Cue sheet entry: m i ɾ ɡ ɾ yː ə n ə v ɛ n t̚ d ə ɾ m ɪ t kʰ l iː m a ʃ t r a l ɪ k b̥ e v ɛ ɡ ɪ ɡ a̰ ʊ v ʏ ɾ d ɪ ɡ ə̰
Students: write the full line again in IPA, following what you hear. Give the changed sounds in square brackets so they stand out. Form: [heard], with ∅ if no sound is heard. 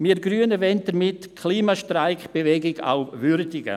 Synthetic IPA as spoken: m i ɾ ɡ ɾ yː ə n ə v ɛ n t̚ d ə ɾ m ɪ t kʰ l iː m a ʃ t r a [∅] ɪ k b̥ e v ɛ ɡ ɪ ɡ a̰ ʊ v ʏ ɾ d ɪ ɡ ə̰